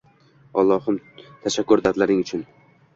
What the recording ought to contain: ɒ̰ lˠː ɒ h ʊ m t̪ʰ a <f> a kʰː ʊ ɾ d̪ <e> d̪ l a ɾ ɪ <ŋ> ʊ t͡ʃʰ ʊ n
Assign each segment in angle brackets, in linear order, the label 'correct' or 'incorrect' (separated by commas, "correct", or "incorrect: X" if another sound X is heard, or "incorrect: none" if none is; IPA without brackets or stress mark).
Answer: incorrect: ʃ, incorrect: a, correct